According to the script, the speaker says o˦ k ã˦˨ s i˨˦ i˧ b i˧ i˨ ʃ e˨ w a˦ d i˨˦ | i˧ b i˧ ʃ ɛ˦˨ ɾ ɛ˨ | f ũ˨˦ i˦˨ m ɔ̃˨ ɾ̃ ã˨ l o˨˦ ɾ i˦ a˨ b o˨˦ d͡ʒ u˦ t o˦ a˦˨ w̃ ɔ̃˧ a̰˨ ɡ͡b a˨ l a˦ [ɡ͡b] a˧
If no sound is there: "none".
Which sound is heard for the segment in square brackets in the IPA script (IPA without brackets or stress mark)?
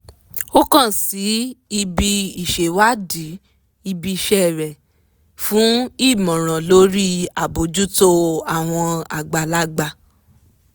ɡ͡b